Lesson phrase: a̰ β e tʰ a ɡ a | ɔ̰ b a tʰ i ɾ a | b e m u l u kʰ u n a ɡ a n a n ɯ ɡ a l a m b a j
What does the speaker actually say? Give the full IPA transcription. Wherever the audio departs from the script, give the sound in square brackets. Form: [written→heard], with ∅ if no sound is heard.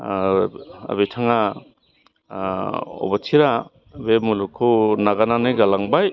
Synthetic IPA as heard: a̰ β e tʰ a [ɡ→ŋ] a | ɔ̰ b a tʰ i ɾ a | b e m u l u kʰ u n a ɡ a n a n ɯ ɡ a l a [m→ŋ] b a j